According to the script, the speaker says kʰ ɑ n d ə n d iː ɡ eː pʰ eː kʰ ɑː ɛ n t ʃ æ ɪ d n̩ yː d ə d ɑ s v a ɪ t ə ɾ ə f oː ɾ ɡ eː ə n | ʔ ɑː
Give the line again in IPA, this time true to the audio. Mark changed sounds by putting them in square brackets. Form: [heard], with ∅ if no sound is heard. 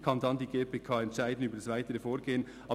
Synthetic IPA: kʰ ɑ n d [ɑ] n d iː ɡ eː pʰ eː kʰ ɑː ɛ n t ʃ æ ɪ d n̩ yː [b] ə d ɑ s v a ɪ t ə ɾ ə f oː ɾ ɡ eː ə n | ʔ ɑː